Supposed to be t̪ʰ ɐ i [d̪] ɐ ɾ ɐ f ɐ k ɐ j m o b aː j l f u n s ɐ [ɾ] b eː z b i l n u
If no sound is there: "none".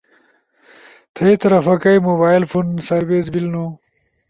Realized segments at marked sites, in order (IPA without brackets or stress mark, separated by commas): t̪, ɾ